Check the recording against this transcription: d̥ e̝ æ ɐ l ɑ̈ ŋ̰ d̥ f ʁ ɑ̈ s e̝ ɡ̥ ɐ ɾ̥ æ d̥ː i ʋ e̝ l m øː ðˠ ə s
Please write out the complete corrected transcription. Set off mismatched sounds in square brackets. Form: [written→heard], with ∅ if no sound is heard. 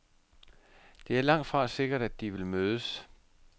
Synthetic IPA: d̥ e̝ æ ɐ l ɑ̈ ŋ̰ d̥ f ʁ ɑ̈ s e̝ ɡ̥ ɐ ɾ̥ æ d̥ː i ʋ e̝ l m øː ðˠ ə s